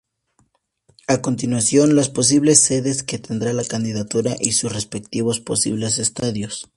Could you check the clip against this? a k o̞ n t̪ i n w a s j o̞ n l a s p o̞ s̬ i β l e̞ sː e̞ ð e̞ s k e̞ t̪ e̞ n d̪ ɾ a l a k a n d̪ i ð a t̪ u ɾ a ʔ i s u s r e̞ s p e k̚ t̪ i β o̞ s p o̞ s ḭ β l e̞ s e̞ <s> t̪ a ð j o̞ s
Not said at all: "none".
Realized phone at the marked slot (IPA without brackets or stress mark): s